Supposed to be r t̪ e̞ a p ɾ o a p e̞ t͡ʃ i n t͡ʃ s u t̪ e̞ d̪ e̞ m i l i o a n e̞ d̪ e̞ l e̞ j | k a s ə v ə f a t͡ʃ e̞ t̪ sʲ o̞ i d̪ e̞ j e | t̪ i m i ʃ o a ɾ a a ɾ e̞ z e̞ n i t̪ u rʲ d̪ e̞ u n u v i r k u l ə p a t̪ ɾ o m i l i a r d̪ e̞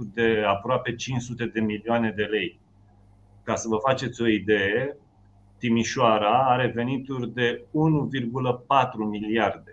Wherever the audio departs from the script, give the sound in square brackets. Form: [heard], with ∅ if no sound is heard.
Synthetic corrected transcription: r [d̪] e̞ a p ɾ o a p e̞ t͡ʃ i n t͡ʃ s u t̪ e̞ d̪ e̞ m i l i o a n e̞ d̪ e̞ l e̞ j | k a s ə v ə f a t͡ʃ e̞ t̪ sʲ o̞ i d̪ e̞ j e | t̪ i m i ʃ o a ɾ a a ɾ e̞ [v] e̞ n i t̪ u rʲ d̪ e̞ u n u v i r [ɡ] u l ə p a t̪ ɾ [u] m i l i a r d̪ e̞